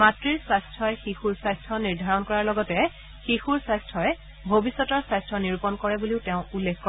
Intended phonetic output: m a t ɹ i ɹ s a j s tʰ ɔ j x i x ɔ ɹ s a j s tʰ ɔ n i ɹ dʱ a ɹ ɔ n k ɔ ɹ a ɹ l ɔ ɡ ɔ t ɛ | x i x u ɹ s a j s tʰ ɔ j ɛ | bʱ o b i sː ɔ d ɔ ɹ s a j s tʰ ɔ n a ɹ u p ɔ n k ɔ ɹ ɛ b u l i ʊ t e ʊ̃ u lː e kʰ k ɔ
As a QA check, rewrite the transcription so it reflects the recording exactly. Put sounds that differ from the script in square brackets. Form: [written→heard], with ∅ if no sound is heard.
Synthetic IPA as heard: m a t ɹ i ɹ s a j s tʰ ɔ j x i x [ɔ→u] ɹ s a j s tʰ ɔ n i ɹ dʱ a ɹ ɔ n k ɔ ɹ a ɹ l ɔ ɡ ɔ t ɛ | x i x u ɹ s a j s tʰ ɔ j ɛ | bʱ o b i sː ɔ [d→t] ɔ ɹ s a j s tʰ ɔ n [a→i] ɹ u p ɔ n k ɔ ɹ ɛ b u l i ʊ t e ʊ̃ u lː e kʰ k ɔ

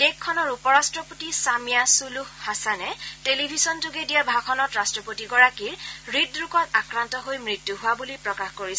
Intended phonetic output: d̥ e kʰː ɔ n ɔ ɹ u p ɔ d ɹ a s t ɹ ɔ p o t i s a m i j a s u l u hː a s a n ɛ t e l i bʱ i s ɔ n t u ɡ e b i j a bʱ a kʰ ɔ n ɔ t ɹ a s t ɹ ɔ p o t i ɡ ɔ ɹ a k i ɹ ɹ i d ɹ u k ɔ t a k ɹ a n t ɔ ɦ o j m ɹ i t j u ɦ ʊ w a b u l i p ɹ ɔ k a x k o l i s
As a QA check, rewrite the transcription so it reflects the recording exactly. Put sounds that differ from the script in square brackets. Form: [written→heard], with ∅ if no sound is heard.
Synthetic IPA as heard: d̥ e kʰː ɔ n ɔ ɹ u p ɔ [d→∅] ɹ a s t ɹ ɔ p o t i s a m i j a s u l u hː a s a n ɛ t e l i bʱ i s ɔ n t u ɡ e [b→d] i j a bʱ a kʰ ɔ n ɔ t ɹ a s t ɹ ɔ p o t i ɡ ɔ ɹ a k i ɹ ɹ i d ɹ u k ɔ t a k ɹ a n t ɔ ɦ o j m ɹ i t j u ɦ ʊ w a b u l i p ɹ ɔ k a x k o [l→ɹ] i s

